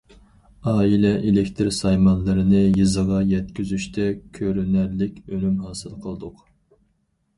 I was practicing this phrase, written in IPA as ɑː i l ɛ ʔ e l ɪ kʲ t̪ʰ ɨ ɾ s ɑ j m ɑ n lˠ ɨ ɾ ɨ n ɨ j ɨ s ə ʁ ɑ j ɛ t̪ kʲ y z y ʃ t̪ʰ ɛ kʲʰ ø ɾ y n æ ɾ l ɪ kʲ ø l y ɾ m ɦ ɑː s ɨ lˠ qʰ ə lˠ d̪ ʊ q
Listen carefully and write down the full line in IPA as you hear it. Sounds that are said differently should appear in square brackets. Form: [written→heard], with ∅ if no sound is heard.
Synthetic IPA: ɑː i l ɛ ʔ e l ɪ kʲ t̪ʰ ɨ ɾ s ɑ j m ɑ n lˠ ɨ ɾ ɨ n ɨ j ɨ [s→z] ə ʁ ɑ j ɛ t̪ kʲ y z y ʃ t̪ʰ ɛ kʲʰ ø ɾ y n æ ɾ l ɪ kʲ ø l y [ɾ→∅] m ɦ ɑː s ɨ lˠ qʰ ə lˠ d̪ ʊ q